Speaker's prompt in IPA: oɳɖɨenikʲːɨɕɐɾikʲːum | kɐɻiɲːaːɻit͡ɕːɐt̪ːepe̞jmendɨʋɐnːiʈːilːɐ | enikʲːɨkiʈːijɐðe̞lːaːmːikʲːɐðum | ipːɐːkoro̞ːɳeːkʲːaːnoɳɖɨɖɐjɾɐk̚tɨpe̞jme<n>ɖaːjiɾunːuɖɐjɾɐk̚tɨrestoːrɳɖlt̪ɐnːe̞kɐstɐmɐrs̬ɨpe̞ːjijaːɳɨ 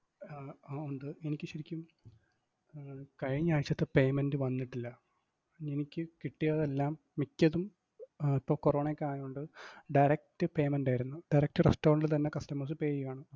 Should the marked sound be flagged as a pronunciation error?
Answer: no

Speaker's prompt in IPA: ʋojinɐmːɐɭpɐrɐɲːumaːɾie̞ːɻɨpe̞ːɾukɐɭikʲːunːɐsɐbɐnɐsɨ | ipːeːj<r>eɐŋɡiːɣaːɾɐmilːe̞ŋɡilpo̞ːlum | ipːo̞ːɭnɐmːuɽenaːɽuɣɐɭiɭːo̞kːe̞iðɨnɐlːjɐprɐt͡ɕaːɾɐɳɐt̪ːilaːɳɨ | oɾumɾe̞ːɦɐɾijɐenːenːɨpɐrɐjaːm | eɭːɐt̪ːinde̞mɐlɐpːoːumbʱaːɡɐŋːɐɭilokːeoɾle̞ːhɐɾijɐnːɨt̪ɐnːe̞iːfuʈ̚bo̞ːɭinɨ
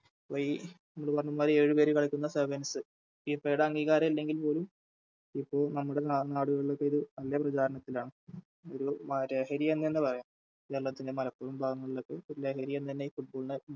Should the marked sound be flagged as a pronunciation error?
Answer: yes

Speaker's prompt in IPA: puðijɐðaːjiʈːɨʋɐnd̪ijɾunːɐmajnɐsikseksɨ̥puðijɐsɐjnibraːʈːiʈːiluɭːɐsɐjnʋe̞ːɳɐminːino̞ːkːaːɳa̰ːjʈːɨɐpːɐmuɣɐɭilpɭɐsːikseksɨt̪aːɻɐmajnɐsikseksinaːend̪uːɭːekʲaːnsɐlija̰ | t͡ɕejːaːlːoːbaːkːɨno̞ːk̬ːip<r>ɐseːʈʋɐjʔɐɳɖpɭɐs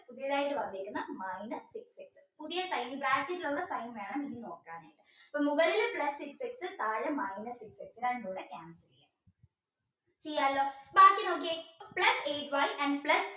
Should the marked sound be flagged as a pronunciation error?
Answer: yes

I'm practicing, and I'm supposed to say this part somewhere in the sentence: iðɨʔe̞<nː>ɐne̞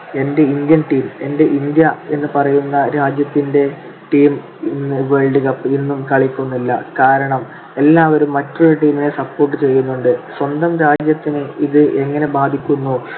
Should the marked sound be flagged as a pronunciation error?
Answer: yes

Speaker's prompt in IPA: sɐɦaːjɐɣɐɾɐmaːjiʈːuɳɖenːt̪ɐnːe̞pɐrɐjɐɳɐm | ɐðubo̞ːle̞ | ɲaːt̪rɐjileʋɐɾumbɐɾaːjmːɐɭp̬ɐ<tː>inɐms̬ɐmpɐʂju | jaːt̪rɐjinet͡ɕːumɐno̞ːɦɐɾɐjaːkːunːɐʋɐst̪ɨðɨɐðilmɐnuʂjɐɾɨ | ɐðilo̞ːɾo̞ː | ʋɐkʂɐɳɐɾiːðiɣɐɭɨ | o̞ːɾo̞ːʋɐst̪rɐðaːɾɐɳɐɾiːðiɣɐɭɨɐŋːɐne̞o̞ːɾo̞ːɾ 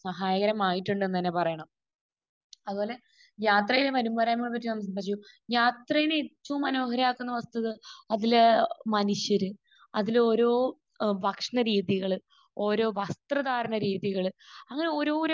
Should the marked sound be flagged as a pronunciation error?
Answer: no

